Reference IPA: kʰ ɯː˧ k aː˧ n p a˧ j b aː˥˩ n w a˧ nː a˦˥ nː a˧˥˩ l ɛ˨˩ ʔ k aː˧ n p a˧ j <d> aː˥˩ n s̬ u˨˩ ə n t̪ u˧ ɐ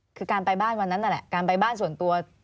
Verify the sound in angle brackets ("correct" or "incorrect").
incorrect